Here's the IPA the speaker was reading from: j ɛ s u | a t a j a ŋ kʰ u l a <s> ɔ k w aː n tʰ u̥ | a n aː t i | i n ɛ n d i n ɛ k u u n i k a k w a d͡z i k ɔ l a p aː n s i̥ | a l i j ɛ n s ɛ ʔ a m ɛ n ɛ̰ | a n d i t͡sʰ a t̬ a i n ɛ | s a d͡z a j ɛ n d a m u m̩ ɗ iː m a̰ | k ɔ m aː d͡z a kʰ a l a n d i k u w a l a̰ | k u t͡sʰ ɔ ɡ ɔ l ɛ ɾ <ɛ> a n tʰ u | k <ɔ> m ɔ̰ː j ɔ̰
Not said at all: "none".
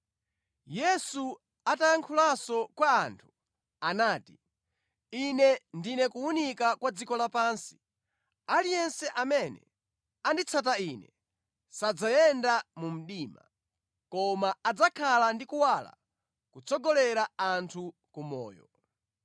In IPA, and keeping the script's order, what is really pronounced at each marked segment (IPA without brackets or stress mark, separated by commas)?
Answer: s, a, u